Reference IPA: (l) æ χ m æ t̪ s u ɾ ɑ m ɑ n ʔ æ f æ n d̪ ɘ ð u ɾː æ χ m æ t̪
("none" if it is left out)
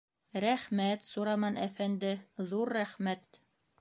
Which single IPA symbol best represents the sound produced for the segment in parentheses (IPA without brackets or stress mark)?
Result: ɾ